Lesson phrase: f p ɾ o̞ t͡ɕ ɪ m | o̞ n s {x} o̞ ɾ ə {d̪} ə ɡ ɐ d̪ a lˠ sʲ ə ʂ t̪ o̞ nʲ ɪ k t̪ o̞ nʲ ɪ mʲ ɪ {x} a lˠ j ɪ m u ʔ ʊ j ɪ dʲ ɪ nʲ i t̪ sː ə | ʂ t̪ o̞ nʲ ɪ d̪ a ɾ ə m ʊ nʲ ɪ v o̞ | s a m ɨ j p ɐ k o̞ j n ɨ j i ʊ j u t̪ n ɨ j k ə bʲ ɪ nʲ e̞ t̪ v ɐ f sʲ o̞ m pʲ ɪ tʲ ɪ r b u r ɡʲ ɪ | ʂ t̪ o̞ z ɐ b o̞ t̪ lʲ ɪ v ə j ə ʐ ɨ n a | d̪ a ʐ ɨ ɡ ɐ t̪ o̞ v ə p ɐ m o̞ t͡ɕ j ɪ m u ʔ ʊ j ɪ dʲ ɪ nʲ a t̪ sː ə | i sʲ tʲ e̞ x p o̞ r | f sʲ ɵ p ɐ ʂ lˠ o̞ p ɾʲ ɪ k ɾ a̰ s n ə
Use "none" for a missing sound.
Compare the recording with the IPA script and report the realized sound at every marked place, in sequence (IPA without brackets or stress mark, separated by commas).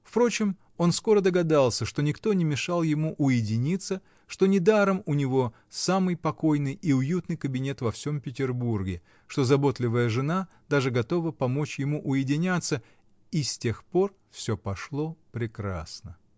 k, d̪, ʂ